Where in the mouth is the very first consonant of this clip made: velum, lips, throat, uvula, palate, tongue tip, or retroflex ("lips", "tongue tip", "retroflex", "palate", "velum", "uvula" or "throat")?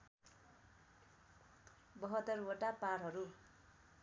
lips